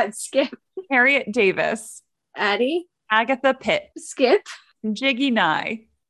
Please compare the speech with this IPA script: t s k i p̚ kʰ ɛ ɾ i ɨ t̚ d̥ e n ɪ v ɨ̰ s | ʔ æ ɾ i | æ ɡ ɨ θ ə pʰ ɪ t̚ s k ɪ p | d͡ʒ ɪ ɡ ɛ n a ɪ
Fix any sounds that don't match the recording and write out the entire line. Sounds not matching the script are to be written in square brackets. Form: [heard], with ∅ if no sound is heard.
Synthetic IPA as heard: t s k [ɪ] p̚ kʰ ɛ [ɹ] i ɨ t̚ d̥ e [∅] ɪ v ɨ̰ s | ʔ æ ɾ i | æ ɡ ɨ θ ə pʰ ɪ t̚ s k ɪ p | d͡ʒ ɪ ɡ [i] n a ɪ